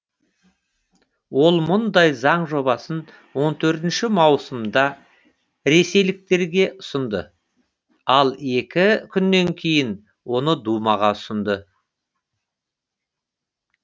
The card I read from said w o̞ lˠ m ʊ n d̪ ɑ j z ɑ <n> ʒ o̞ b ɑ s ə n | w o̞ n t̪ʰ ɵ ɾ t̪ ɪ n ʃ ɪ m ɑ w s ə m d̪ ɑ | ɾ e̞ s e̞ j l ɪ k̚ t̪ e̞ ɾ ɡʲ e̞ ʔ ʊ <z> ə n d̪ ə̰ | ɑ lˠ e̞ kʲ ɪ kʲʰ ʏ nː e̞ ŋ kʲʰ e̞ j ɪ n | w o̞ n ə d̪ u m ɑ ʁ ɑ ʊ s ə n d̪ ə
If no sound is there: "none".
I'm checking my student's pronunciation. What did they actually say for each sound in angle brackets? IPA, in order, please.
ɴ, s

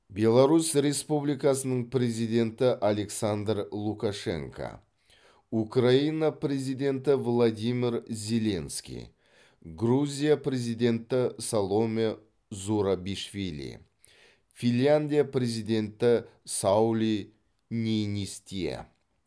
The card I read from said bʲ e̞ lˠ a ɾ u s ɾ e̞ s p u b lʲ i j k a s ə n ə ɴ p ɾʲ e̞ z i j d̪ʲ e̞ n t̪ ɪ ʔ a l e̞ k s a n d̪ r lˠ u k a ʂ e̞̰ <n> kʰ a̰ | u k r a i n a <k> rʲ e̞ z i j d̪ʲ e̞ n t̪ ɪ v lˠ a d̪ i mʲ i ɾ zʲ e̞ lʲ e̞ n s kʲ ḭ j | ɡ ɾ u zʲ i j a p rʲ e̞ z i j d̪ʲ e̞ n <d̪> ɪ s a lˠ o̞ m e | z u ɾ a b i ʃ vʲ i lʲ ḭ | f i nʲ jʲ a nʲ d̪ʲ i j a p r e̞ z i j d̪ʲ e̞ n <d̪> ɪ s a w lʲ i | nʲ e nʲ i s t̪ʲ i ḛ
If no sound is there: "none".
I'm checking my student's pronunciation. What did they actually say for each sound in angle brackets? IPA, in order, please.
ŋ, p, t̪, t̪

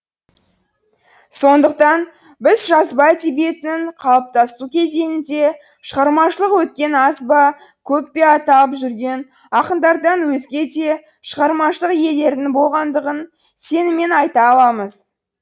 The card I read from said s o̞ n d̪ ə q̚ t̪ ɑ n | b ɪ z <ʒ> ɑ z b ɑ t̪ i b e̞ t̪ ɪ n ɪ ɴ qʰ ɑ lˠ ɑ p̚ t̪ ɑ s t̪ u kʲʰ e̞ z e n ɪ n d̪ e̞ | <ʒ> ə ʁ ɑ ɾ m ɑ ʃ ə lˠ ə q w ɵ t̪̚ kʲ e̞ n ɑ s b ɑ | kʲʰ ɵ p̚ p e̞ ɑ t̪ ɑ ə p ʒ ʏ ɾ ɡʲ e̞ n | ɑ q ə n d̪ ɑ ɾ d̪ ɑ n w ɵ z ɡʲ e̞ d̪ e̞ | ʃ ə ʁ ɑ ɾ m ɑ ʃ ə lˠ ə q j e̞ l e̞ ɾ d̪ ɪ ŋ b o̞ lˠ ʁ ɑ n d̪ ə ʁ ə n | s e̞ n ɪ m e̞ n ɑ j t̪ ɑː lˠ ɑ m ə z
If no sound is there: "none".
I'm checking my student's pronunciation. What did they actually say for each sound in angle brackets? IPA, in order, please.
ʒ, ʃ

